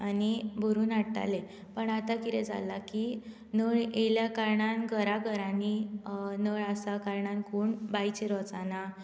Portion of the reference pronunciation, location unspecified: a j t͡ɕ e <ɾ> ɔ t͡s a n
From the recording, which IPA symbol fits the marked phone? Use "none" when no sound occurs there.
ɾ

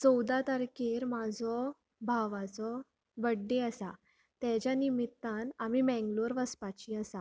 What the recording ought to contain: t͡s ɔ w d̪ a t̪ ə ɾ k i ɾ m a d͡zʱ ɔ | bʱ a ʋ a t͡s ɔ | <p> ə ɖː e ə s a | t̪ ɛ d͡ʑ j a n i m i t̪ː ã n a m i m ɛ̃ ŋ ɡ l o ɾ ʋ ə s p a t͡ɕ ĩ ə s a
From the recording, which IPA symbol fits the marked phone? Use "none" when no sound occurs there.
b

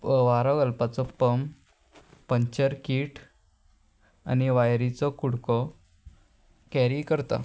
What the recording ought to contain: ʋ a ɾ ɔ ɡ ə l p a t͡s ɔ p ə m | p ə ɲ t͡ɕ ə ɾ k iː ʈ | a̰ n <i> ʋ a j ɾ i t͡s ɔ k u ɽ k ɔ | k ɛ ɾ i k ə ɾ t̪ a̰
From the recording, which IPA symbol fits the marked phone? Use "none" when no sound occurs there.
i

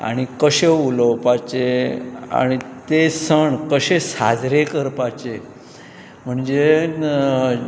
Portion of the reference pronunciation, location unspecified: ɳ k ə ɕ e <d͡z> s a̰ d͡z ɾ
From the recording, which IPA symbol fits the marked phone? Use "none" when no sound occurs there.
none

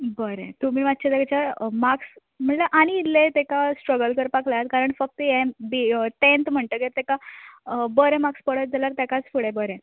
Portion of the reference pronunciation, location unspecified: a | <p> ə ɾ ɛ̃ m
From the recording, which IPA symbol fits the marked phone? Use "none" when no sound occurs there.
b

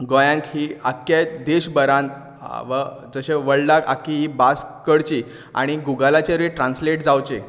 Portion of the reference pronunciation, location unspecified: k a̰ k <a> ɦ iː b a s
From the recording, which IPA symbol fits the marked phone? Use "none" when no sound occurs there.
i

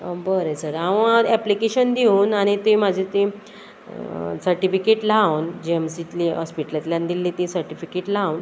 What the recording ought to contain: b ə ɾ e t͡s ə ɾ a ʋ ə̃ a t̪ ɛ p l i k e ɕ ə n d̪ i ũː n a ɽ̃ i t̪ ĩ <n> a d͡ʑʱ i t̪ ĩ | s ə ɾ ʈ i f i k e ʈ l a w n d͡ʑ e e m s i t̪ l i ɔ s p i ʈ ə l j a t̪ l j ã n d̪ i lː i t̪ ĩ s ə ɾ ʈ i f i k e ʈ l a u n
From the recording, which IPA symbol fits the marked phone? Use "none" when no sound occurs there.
m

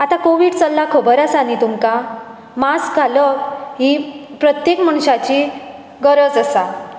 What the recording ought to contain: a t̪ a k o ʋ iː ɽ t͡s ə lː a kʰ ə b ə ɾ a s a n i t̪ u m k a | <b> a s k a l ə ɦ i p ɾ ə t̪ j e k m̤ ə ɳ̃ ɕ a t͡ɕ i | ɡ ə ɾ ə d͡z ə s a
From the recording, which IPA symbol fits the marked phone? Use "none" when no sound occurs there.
m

